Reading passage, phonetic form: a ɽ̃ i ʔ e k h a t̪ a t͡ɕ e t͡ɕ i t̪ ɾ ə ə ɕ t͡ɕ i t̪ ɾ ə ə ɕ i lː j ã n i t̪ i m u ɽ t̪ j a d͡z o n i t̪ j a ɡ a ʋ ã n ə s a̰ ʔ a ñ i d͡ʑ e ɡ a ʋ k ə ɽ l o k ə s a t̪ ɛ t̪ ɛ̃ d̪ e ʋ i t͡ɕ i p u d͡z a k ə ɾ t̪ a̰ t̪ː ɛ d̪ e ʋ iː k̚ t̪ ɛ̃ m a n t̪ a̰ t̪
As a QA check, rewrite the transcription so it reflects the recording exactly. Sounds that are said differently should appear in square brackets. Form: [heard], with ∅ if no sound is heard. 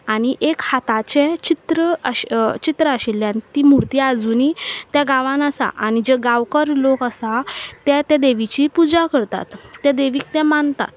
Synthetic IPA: a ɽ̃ i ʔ e k h a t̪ a t͡ɕ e t͡ɕ i t̪ ɾ ə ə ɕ t͡ɕ i t̪ ɾ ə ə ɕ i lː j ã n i t̪ i m u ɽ t̪ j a d͡z [u] n i t̪ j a ɡ a ʋ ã n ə s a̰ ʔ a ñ i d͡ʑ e ɡ a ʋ k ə [ɾ] l o k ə s a t̪ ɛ t̪ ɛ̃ d̪ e ʋ i t͡ɕ i p u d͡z a k ə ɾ t̪ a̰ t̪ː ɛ d̪ e ʋ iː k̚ t̪ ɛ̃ m a n t̪ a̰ t̪